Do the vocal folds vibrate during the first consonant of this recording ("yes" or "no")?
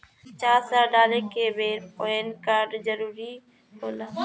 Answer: no